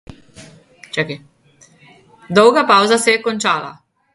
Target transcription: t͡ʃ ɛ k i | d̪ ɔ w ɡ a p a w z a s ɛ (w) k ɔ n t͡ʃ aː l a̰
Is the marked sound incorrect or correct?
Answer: incorrect: none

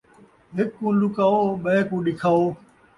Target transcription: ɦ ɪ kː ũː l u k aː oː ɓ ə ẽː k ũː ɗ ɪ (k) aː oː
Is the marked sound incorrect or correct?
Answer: incorrect: kʰ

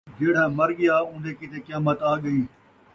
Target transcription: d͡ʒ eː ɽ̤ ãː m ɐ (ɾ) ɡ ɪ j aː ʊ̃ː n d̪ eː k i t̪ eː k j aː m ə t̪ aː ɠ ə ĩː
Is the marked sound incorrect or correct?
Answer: correct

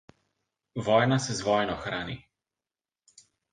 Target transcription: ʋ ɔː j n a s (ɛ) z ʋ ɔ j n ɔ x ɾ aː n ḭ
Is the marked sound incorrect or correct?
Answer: correct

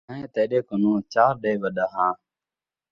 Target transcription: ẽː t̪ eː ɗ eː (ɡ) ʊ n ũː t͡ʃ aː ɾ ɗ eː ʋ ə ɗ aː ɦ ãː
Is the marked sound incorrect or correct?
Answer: incorrect: k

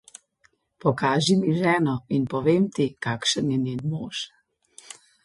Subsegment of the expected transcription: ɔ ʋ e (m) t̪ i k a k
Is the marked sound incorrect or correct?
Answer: correct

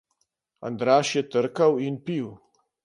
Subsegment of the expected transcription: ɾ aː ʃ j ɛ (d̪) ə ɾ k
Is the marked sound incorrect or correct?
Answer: incorrect: t̪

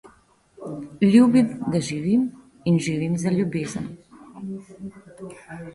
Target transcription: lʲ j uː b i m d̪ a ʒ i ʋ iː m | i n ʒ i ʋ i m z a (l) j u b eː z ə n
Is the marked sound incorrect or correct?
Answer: correct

